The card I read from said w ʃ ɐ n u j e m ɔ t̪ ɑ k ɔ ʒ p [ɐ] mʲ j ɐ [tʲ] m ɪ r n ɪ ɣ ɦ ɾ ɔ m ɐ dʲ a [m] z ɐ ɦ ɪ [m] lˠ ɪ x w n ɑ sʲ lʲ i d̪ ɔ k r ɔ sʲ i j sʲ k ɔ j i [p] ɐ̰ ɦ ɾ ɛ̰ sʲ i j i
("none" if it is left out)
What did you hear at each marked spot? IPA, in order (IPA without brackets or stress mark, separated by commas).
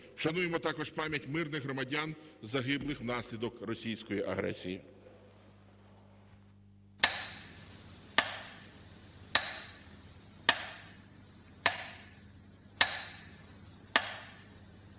ɑ, tʲ, n, b, ʔ